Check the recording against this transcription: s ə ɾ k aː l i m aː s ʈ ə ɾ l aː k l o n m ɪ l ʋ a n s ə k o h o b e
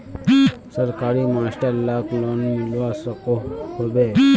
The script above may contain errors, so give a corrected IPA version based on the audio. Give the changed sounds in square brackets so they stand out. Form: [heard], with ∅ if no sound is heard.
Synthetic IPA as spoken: s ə ɾ k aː [ɾ] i m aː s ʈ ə ɾ l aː k l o n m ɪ l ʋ a [∅] s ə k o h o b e